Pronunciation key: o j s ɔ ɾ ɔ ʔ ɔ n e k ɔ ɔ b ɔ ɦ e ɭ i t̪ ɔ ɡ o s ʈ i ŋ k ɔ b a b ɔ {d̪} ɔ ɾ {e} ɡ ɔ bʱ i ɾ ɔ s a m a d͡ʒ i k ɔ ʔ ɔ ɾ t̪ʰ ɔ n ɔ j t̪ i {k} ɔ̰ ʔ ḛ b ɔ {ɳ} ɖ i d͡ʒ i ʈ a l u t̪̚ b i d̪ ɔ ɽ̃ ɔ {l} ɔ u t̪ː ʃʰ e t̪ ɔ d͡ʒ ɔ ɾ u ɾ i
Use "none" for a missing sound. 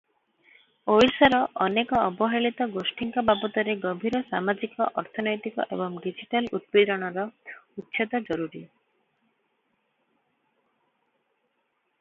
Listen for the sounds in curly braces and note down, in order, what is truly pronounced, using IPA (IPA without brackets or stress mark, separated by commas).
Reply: t̪, e, k, ŋ, ɾ